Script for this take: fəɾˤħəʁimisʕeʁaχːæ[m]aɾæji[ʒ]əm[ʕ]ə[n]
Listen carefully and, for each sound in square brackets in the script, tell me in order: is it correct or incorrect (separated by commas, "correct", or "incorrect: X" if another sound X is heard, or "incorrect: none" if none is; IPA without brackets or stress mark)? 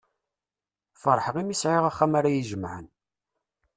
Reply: correct, correct, correct, correct